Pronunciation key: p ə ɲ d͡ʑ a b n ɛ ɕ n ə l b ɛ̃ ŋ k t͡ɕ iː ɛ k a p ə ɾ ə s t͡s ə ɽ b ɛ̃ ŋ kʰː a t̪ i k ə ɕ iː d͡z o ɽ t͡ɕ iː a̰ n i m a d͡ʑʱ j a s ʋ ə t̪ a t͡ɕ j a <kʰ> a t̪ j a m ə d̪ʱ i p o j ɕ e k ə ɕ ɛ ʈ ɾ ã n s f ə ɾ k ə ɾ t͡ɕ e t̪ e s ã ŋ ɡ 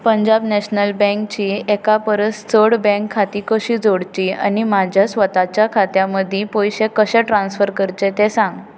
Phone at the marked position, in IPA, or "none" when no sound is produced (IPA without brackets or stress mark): kʰ